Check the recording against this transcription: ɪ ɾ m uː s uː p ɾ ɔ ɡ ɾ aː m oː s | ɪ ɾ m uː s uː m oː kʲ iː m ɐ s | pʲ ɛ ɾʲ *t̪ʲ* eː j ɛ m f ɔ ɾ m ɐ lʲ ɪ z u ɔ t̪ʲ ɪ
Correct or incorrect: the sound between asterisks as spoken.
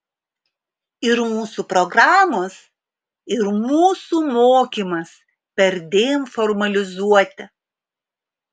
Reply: incorrect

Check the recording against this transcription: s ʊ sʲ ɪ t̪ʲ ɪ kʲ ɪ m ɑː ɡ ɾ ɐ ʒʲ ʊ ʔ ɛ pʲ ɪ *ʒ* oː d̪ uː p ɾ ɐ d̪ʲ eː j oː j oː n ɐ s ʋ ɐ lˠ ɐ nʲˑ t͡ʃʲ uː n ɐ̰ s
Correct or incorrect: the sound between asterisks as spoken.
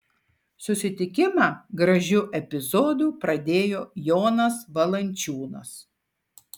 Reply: incorrect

